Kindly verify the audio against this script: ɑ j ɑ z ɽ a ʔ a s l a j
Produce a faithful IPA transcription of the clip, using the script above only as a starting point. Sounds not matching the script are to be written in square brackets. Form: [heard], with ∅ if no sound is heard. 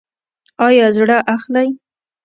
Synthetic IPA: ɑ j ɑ z ɽ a ʔ a [x] l a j